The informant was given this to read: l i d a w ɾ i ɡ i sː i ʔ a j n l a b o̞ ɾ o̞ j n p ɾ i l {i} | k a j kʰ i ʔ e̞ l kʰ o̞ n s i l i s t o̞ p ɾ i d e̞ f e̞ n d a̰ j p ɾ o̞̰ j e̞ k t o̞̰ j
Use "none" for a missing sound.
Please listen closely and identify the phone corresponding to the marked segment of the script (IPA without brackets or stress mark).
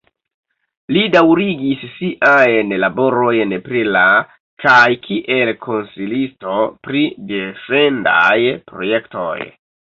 a